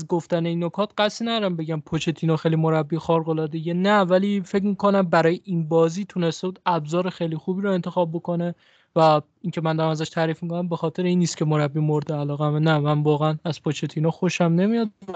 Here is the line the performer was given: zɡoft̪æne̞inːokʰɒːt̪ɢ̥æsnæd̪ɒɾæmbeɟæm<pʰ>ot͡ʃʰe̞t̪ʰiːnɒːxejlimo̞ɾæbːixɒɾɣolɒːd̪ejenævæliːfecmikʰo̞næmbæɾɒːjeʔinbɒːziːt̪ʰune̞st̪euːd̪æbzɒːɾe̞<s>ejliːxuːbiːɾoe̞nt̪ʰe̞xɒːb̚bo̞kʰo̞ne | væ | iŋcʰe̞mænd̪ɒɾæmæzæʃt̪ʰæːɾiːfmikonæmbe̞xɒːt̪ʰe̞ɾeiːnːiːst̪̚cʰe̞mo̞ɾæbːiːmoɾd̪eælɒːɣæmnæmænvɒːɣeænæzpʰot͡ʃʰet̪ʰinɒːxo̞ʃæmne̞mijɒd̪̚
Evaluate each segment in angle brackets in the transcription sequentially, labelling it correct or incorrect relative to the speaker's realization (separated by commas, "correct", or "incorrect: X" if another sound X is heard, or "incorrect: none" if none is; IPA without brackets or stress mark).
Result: correct, incorrect: x